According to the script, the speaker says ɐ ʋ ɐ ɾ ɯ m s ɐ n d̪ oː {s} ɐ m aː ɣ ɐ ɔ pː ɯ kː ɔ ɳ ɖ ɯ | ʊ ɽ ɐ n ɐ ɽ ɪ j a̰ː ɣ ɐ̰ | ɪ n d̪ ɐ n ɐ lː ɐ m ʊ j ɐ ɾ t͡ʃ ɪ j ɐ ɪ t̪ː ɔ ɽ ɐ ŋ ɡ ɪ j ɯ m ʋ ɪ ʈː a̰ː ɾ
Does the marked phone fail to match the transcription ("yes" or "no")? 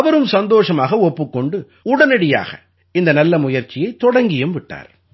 yes